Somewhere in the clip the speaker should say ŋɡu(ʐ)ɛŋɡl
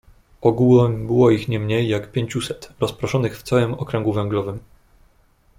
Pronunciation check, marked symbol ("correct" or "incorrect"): incorrect